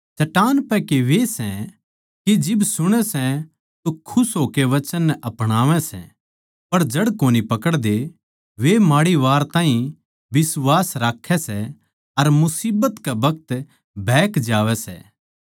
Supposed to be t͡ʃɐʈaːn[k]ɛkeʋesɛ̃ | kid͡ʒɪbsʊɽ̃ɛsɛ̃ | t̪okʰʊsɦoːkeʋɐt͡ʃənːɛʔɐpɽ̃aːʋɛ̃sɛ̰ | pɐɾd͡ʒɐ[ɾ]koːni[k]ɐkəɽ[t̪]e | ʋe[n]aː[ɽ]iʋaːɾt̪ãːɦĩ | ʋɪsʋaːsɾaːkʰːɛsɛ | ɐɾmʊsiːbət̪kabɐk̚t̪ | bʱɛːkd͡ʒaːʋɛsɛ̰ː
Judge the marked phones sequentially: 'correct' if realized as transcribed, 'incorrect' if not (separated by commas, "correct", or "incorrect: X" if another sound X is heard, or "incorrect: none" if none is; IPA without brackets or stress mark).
incorrect: p, incorrect: ɽ, incorrect: p, incorrect: d̪, incorrect: m, correct